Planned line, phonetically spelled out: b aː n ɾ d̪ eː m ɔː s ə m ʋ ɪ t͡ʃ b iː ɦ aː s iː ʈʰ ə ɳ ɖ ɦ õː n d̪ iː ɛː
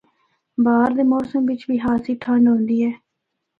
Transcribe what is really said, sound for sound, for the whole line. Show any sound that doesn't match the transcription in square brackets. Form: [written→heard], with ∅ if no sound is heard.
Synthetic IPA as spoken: b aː [n→∅] ɾ d̪ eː m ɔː s ə m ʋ ɪ t͡ʃ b iː ɦ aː s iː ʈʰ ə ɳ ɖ ɦ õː n d̪ iː ɛː